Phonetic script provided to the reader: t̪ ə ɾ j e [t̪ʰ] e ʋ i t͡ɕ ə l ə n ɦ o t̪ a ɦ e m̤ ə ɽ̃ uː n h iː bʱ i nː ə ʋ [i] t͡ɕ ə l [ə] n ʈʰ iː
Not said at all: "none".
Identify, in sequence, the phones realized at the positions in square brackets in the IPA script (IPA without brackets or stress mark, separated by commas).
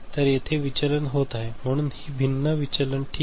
t̪ʰ, i, ə